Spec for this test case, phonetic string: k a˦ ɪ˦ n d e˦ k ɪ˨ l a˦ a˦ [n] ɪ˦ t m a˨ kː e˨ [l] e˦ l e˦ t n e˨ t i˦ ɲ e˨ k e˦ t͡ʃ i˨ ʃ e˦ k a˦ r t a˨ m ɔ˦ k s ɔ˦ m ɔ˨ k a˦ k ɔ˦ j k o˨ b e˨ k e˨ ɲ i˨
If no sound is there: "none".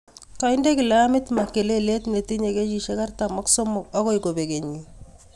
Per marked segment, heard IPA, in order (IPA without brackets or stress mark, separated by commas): m, l